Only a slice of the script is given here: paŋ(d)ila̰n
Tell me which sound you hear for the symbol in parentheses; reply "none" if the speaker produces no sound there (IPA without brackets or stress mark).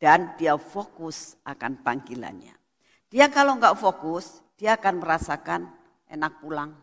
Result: ɡ